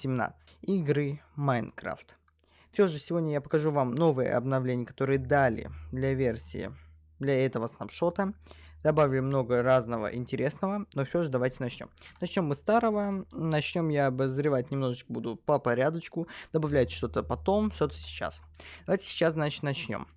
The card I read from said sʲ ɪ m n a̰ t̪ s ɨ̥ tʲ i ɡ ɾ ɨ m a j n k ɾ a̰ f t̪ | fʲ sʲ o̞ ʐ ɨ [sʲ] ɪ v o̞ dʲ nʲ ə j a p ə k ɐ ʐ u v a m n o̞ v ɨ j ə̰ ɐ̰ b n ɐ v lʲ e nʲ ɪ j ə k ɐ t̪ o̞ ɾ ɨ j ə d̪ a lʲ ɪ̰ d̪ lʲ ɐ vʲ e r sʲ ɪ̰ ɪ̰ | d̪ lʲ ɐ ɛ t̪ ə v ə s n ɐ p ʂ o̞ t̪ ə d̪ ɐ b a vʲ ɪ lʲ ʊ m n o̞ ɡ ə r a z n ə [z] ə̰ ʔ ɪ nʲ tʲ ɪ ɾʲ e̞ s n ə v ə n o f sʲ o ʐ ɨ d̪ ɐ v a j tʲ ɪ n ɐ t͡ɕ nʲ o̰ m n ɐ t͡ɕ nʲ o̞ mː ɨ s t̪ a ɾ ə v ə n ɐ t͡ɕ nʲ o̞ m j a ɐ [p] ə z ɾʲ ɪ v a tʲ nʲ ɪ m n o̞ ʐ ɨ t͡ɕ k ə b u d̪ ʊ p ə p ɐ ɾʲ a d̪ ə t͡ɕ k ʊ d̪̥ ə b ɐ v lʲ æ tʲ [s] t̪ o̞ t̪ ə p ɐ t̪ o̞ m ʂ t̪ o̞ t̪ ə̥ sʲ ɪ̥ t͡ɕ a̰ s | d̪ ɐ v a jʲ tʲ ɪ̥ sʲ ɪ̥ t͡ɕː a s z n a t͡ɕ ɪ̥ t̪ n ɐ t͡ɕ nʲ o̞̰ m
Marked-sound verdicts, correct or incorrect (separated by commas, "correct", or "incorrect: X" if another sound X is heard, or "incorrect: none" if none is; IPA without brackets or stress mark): correct, incorrect: v, incorrect: b, incorrect: ʂ